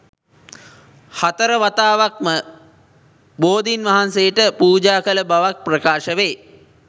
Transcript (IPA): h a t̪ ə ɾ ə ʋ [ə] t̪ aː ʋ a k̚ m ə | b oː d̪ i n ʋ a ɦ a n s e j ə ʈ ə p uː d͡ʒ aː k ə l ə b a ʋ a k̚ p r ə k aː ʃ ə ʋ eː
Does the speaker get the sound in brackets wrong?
yes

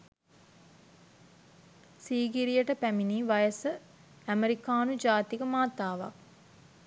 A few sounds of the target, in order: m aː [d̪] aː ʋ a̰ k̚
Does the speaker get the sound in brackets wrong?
yes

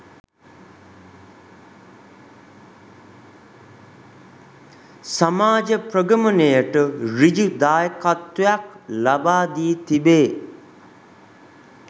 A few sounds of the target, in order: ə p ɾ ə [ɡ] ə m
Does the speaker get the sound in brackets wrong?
no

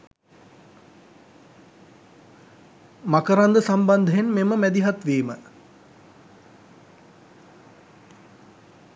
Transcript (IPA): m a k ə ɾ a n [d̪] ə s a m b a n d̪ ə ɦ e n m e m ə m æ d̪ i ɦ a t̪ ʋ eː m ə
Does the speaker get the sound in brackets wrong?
no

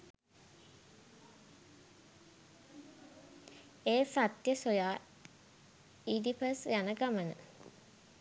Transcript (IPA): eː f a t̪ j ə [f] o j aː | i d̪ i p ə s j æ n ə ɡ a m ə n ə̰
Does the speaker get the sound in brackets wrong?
yes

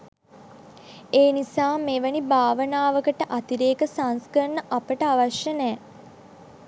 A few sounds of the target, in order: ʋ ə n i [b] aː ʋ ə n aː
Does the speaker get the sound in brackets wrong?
no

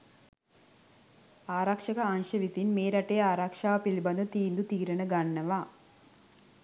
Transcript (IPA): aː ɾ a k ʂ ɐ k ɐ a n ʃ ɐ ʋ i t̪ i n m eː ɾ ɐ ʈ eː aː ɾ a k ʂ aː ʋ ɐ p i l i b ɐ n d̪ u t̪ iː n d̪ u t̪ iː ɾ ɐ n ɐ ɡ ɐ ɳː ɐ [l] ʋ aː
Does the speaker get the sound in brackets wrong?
yes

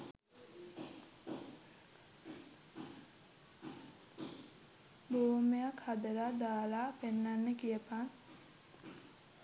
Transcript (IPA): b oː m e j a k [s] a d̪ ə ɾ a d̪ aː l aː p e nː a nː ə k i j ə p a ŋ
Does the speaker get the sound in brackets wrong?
yes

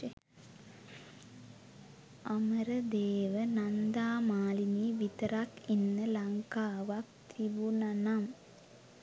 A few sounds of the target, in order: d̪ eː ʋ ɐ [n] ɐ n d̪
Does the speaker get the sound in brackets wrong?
no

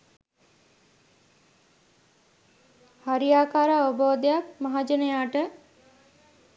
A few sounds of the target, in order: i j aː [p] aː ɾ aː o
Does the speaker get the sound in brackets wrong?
yes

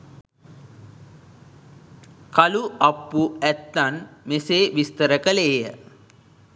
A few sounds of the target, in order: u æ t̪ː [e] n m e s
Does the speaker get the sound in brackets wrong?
yes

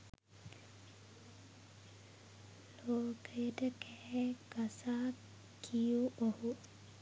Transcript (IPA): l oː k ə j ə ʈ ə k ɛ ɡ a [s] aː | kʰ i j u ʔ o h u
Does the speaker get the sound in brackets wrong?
no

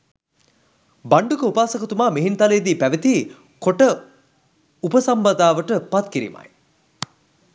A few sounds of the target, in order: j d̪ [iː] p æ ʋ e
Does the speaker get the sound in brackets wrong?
no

